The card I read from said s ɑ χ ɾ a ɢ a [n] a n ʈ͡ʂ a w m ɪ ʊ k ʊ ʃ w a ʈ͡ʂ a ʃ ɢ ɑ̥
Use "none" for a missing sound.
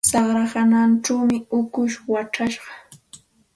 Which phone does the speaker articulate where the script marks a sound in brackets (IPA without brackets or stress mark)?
n